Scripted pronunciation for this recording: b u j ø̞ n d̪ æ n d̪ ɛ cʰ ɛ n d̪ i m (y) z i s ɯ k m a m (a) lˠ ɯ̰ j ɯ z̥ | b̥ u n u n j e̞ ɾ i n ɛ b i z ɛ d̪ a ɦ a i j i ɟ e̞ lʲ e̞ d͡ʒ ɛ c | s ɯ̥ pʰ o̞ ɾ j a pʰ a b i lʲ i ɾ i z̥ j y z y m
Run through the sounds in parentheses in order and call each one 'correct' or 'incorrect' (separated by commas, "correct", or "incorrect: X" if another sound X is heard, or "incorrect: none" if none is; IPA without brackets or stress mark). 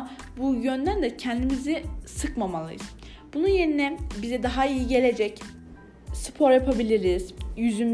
incorrect: i, correct